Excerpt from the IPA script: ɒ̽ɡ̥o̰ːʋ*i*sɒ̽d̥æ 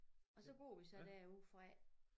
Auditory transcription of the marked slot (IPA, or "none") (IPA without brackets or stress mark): i